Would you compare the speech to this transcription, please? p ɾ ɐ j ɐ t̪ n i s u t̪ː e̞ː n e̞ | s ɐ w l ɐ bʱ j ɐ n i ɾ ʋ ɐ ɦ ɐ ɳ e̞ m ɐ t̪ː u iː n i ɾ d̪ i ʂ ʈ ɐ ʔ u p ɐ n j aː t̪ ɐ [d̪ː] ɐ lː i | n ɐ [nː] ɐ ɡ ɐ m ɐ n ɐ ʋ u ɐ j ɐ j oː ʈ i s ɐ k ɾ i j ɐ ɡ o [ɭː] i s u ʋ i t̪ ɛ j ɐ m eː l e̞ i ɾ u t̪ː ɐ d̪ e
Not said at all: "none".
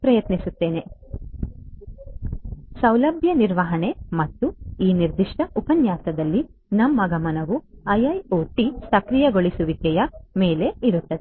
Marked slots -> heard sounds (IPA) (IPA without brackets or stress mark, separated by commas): d̪, mː, ɭ